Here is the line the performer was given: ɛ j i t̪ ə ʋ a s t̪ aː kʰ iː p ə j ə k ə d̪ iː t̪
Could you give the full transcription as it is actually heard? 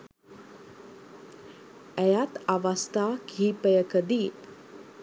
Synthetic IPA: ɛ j a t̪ a ʋ a s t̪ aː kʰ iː p ə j ə k ə d̪ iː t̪

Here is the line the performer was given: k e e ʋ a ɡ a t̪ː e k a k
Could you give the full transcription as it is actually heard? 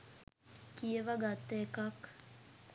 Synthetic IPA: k i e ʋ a ɡ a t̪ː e k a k

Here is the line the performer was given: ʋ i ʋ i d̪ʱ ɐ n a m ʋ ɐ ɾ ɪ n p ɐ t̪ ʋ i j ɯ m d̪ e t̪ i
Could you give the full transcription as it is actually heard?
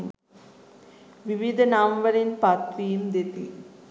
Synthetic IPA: ʋ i ʋ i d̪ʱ ɐ n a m ʋ ɐ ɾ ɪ n p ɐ t̪ ʋ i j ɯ m d̪ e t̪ i

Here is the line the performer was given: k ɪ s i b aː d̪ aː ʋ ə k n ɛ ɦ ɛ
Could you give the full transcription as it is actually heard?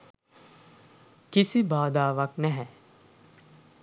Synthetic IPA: k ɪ s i b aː d̪ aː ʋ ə k n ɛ ɦ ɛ

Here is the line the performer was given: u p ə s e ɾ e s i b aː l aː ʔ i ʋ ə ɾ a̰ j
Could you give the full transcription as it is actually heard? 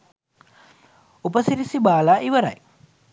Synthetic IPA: u p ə s i ɾ i s i b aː l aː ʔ i ʋ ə ɾ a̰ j

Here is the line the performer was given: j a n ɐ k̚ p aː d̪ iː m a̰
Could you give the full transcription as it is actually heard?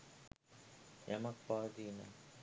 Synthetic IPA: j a m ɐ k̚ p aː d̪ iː n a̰

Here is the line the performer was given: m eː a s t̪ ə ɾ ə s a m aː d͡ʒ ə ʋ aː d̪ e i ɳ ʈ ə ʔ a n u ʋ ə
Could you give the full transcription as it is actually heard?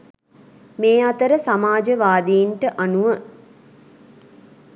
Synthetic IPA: m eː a t̪ ə ɾ ə s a m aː d͡ʒ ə ʋ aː d̪ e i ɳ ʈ ə ʔ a n u ʋ ə

